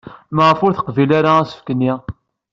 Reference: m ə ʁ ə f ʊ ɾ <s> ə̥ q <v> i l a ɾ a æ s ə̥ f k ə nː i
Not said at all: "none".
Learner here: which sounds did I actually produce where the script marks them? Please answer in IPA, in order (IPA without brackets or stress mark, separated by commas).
θ, v